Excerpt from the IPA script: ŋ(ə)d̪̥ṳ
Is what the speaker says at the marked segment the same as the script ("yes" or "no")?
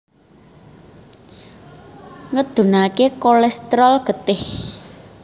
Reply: yes